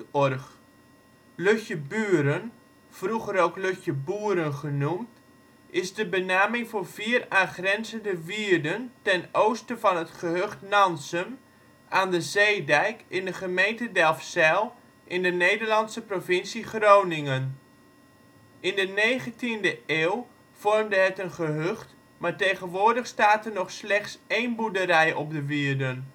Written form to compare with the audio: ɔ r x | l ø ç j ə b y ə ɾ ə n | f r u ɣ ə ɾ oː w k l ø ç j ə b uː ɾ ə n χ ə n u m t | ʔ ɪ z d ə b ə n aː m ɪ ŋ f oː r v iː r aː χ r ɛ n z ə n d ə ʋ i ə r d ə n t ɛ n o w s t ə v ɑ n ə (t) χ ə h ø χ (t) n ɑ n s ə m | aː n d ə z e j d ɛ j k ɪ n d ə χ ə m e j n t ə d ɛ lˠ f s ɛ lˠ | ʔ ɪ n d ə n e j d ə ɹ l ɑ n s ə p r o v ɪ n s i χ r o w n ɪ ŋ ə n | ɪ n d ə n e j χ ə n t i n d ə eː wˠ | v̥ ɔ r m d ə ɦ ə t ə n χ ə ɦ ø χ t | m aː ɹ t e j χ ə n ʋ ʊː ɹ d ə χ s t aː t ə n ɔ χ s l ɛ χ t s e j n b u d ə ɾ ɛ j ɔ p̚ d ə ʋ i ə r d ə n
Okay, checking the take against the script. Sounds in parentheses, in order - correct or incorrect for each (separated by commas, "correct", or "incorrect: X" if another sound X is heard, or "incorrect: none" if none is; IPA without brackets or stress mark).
correct, correct